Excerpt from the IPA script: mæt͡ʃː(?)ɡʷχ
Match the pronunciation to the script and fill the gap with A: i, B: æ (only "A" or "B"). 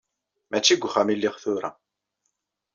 A